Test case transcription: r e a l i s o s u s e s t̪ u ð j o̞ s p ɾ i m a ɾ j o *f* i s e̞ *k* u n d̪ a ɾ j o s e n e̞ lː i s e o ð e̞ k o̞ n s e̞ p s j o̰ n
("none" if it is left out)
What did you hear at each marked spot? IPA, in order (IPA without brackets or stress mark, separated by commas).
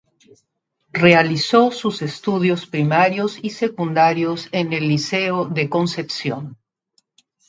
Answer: s, k